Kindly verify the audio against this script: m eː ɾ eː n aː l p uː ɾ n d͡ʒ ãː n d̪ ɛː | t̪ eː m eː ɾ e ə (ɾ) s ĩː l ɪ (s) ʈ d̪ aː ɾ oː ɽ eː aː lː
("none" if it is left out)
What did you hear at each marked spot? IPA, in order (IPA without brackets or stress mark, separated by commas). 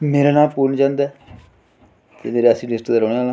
none, s